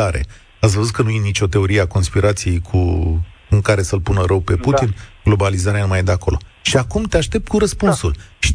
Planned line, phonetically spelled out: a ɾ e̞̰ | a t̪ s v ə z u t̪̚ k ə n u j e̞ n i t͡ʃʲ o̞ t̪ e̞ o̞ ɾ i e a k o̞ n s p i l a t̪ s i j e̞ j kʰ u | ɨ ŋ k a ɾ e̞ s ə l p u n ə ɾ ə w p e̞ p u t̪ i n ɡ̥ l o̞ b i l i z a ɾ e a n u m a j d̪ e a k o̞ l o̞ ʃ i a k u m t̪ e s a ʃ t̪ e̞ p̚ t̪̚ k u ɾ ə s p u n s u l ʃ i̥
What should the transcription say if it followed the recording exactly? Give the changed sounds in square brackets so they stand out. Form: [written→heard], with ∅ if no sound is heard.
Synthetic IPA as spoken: a ɾ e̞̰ | a t̪ s v ə z u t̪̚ k ə n u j e̞ n i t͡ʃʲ o̞ t̪ e̞ o̞ ɾ i e a k o̞ n s p i [l→ɾ] a t̪ s i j e̞ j kʰ u | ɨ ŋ k a ɾ e̞ s ə l p u n ə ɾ ə w p e̞ p u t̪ i n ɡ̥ l o̞ b [i→a] l i z a ɾ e a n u m a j d̪ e a k o̞ l o̞ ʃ i a k u m t̪ e [s→∅] a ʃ t̪ e̞ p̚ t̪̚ k u ɾ ə s p u n s u l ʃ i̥